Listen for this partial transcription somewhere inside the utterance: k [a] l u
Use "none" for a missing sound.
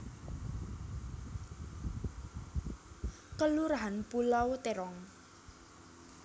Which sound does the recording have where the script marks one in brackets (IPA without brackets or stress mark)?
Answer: ə